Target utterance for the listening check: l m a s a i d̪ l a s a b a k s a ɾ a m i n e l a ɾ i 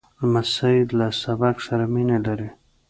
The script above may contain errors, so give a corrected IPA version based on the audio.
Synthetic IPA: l m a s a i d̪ l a s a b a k s a ɾ a m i n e l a ɾ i